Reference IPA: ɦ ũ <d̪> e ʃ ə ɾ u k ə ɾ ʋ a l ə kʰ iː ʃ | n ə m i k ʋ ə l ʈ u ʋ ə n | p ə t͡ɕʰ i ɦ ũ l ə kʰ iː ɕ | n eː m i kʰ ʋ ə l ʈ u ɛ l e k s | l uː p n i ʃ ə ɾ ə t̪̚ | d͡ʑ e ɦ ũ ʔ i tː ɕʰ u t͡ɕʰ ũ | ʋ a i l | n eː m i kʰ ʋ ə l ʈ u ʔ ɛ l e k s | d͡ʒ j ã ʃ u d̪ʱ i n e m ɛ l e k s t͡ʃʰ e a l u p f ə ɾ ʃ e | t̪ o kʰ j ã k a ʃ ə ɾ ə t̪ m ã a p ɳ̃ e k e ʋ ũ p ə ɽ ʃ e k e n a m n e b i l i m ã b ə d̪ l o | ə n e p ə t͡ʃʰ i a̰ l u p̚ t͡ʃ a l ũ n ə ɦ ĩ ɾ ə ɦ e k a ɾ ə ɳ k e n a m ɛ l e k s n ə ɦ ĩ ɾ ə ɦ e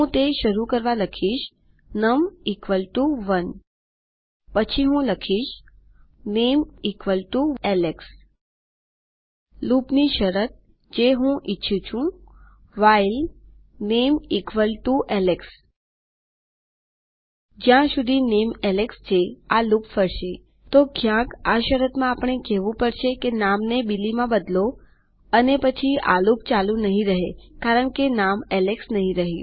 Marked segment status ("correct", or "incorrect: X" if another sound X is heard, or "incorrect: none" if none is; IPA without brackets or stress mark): incorrect: t̪